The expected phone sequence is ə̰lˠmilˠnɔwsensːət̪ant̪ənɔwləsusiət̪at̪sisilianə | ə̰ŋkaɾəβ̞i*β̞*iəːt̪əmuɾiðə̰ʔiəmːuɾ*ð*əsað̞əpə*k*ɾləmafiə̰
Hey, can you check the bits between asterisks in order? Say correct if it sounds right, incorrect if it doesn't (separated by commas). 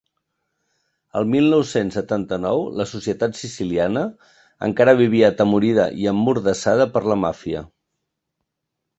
correct, correct, incorrect